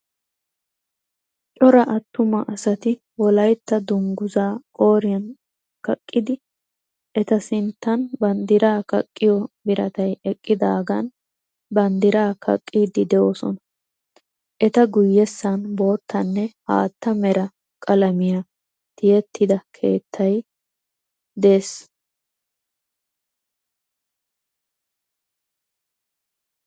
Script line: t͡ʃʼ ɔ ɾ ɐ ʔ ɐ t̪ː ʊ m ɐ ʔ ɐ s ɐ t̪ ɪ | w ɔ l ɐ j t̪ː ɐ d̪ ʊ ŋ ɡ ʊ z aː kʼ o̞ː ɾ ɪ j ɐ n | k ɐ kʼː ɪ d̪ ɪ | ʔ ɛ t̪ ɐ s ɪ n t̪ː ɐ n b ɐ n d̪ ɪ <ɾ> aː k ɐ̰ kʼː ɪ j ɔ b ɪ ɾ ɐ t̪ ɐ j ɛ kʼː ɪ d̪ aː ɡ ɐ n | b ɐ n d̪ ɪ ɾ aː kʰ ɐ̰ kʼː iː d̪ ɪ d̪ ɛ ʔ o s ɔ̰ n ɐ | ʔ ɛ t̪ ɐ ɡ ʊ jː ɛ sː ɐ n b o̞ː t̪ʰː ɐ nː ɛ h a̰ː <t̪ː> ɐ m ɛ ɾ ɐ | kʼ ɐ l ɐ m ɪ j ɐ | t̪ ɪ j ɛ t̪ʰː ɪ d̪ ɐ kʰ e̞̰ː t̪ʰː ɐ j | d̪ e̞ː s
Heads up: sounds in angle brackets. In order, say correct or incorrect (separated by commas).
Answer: correct, correct